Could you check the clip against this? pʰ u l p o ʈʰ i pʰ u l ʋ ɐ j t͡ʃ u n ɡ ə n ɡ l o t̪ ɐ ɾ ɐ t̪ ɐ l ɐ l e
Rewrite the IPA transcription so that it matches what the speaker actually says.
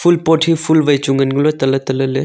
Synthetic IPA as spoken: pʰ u l p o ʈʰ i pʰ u l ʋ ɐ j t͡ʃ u ŋ ɡ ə n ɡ l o t̪ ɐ l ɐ t̪ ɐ l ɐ l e